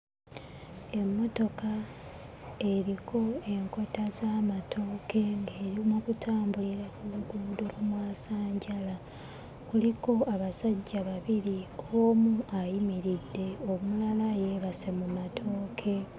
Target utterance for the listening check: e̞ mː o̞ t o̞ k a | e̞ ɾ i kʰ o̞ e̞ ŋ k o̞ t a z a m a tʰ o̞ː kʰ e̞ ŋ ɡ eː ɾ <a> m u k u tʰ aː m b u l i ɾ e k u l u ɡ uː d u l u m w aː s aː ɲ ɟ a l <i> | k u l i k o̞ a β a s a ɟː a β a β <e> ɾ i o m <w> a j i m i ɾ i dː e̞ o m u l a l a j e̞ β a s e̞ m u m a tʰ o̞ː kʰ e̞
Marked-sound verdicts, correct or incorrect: incorrect: i, incorrect: a, incorrect: i, incorrect: u

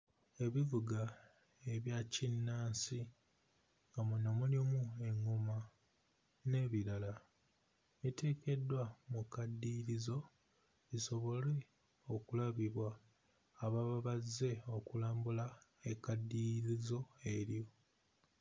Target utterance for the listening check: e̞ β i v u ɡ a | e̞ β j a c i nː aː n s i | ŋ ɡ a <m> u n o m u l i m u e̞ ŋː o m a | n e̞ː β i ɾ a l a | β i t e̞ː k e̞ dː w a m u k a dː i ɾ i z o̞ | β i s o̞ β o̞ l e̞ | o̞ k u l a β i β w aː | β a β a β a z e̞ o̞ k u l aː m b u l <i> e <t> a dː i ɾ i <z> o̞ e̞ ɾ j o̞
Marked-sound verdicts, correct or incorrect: correct, incorrect: a, incorrect: k, correct

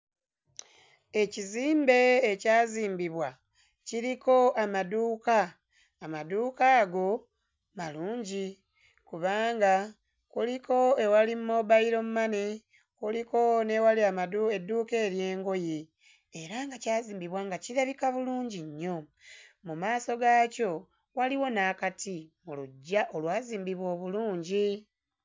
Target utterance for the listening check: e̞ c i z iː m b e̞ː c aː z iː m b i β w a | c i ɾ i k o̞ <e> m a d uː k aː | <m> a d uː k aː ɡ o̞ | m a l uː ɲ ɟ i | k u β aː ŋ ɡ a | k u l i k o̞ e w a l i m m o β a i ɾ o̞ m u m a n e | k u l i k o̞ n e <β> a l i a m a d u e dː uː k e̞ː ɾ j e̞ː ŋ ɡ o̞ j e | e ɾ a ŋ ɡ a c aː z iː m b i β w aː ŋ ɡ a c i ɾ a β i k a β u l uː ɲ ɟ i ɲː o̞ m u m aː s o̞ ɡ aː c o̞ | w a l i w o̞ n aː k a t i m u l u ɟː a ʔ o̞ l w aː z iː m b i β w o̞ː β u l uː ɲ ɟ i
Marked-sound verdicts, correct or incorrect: incorrect: a, correct, incorrect: w

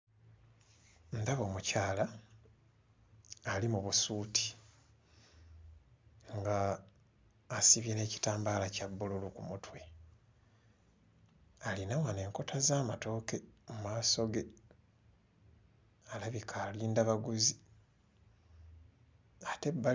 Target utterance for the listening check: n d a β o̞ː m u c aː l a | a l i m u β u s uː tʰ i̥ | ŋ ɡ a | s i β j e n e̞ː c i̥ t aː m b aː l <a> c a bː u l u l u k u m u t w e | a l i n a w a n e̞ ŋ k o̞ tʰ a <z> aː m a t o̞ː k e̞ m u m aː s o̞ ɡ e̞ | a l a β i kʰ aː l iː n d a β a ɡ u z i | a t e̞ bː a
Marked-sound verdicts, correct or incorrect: correct, correct

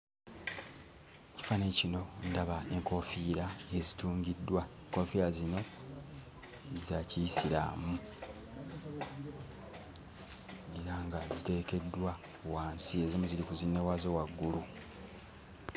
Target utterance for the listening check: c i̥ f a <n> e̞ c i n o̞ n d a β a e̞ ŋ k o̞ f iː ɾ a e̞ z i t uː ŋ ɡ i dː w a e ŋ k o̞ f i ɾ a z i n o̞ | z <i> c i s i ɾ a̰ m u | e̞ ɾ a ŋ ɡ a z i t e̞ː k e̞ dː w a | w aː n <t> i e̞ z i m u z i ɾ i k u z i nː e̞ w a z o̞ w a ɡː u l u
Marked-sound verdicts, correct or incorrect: correct, incorrect: a, incorrect: s

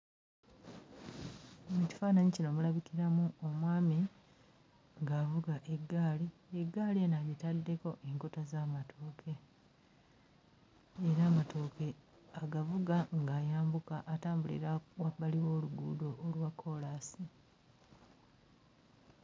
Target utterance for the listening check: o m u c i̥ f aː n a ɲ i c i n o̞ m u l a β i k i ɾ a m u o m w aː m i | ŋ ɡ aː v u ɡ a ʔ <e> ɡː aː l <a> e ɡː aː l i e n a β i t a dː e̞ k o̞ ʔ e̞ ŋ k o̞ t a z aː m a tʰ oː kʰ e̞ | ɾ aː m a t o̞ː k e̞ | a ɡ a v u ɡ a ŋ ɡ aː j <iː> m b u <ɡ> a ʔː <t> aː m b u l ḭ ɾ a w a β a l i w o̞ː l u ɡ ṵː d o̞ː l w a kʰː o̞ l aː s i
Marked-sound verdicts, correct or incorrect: correct, incorrect: i, incorrect: aː, incorrect: k, correct

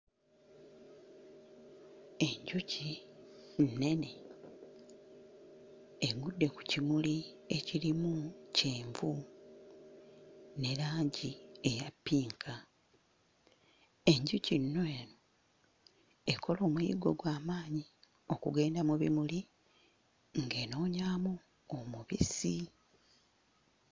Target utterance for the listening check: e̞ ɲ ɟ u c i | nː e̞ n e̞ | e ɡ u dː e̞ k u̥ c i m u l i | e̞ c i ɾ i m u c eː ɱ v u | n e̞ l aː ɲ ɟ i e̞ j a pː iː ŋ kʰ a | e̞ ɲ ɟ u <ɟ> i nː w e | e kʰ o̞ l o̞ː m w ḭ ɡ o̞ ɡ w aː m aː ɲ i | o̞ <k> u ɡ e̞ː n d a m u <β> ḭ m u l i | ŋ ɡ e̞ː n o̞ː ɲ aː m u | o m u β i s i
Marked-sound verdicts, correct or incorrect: incorrect: c, correct, correct

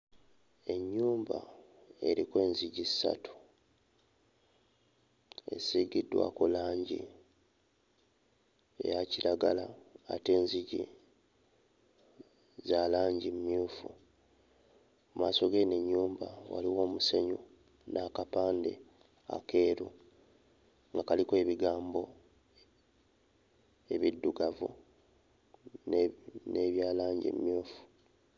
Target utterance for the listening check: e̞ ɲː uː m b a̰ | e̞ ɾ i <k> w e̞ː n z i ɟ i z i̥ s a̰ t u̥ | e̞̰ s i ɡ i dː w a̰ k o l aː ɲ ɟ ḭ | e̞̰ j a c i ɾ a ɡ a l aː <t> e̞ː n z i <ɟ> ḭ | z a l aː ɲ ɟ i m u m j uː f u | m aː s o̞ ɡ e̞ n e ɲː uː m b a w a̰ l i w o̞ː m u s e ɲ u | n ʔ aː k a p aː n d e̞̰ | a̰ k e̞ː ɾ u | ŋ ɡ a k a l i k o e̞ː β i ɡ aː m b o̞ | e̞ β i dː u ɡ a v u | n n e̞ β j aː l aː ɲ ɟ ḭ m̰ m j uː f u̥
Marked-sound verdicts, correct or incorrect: correct, correct, correct

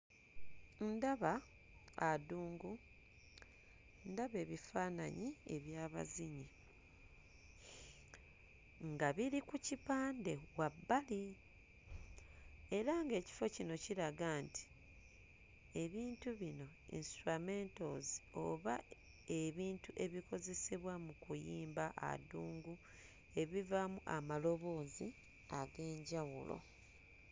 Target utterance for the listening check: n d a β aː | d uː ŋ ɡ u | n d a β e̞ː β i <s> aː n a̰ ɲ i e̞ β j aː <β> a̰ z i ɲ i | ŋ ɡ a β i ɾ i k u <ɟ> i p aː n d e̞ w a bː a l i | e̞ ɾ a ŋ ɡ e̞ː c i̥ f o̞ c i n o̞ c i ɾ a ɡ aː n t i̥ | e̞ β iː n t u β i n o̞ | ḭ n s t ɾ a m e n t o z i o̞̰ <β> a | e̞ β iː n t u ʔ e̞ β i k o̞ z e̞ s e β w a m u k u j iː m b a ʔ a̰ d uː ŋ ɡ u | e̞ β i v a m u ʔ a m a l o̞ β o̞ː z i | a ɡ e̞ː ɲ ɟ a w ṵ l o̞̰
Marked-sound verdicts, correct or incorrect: incorrect: f, correct, incorrect: c, correct

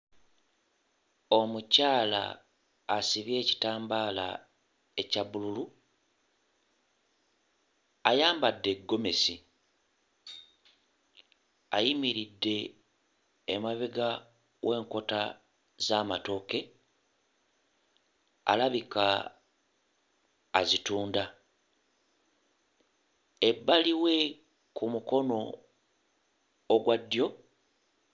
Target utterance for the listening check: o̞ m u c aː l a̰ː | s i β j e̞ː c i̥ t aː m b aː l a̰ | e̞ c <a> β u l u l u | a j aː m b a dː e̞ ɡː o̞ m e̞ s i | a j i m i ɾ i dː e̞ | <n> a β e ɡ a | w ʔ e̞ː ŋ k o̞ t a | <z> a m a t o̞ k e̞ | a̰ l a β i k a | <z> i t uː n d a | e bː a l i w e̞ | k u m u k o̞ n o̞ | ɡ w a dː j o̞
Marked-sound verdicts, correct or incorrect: correct, incorrect: m, correct, correct

